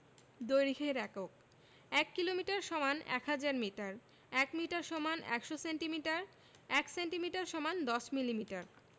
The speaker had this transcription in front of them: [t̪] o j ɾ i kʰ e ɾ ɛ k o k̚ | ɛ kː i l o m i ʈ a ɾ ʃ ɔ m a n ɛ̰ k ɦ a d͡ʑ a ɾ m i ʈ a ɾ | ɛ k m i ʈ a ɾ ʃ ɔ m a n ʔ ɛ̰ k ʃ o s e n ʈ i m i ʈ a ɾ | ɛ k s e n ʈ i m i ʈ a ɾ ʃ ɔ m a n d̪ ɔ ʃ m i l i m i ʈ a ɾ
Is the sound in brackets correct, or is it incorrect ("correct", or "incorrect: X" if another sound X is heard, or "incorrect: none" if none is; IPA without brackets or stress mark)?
incorrect: d̪